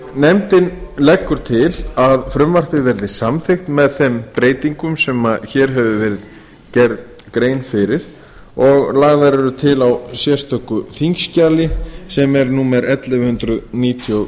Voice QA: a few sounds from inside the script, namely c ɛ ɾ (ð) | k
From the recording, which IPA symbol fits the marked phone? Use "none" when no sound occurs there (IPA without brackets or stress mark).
ð